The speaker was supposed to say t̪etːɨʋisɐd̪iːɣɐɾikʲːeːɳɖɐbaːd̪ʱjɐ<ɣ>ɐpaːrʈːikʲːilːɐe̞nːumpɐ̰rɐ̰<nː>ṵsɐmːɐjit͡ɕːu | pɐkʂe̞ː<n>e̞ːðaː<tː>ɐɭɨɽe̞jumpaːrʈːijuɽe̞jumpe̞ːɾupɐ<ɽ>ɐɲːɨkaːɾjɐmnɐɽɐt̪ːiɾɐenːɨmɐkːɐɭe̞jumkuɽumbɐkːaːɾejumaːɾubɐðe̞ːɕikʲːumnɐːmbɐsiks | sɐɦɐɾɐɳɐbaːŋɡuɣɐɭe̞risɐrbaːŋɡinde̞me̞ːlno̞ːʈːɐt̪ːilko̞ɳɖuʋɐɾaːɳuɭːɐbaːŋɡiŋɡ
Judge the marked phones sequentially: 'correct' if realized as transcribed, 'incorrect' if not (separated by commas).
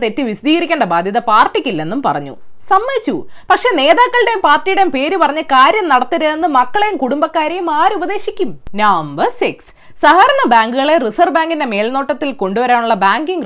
incorrect, incorrect, correct, incorrect, incorrect